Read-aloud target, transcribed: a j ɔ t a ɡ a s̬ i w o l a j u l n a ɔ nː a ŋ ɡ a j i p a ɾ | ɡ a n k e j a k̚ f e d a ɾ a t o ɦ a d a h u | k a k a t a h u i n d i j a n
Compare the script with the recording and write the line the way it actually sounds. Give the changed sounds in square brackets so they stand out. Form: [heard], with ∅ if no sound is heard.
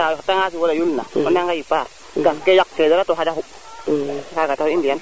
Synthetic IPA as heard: a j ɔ t a [ŋ] a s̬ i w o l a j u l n a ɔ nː a ŋ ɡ a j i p a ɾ | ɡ a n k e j a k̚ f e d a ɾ a t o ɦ a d a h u | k a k a t a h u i n d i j a n